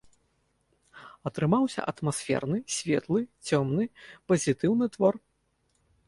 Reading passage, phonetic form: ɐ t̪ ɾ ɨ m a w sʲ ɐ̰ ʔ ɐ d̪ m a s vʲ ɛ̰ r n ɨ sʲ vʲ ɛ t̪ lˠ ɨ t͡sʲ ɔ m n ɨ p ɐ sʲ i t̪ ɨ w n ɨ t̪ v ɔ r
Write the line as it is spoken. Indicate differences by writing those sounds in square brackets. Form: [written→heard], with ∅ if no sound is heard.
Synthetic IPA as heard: ɐ t̪ ɾ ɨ m a w sʲ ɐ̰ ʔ ɐ [d̪→t̪] m a s [vʲ→fʲ] ɛ̰ r n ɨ sʲ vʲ ɛ t̪ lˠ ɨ t͡sʲ ɔ m n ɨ p ɐ [sʲ→zʲ] i t̪ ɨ w n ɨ t̪ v ɔ r